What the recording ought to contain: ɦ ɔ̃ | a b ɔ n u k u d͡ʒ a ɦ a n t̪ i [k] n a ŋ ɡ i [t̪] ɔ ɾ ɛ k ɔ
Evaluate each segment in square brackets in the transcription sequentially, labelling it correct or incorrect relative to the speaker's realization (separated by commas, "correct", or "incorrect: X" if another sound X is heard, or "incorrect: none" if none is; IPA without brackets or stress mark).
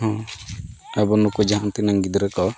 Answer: incorrect: none, incorrect: d̪